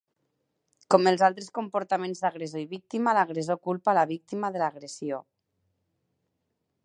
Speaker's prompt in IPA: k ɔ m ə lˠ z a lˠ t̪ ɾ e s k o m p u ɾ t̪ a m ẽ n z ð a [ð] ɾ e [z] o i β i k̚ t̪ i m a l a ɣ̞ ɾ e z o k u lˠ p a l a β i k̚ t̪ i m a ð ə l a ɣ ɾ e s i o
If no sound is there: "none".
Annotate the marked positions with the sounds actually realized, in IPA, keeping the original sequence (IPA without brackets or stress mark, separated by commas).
ɣ, z